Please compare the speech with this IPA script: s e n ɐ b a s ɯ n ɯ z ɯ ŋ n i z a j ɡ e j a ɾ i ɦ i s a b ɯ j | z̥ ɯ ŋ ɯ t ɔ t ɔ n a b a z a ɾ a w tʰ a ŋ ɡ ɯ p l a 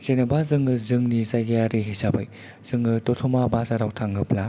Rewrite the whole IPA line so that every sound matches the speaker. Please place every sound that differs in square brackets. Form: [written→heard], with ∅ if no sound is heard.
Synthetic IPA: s e n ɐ b a [s→z] ɯ [n→ŋ] ɯ z ɯ ŋ n i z a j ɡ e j a ɾ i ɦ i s a b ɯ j | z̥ ɯ ŋ ɯ t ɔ [t→tʰ] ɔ [n→m] a b a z a ɾ a w tʰ a ŋ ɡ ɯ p l a